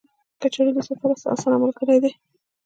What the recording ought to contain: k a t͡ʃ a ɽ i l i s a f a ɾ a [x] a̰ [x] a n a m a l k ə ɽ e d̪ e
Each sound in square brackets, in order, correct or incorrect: incorrect, incorrect

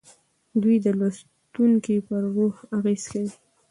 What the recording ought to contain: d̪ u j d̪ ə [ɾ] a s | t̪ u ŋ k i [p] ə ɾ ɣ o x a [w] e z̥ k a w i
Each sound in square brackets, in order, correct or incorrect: incorrect, correct, incorrect

